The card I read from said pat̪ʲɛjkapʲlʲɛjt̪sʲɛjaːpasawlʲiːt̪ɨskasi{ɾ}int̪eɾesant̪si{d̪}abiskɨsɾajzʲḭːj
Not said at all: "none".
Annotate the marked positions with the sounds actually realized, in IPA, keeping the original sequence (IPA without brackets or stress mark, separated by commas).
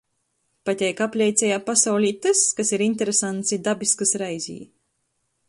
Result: ɾ, d̪